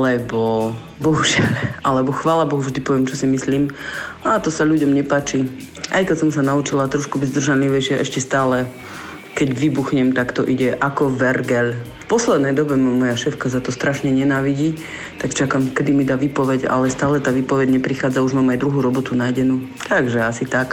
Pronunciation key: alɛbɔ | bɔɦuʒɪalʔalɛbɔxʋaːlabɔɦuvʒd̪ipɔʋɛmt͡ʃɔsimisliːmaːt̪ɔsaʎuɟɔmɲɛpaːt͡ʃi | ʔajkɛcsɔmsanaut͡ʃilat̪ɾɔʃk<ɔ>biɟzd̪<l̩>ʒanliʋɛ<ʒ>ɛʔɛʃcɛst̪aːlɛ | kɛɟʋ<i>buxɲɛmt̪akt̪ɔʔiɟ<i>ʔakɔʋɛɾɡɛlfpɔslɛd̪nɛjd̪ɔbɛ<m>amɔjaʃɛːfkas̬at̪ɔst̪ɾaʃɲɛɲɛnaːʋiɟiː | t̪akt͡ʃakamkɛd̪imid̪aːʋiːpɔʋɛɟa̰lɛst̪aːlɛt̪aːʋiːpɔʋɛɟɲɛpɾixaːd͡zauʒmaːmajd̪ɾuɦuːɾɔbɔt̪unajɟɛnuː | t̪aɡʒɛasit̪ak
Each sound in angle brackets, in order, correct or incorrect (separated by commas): incorrect, incorrect, incorrect, correct, incorrect, correct